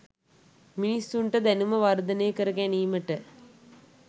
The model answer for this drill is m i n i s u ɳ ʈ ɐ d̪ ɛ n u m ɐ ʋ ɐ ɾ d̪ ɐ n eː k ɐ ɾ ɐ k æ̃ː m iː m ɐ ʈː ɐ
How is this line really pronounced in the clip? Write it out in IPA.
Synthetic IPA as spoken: m i n i s u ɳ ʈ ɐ d̪ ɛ n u m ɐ ʋ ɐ ɾ d̪ ɐ n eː k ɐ ɾ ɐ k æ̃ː n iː m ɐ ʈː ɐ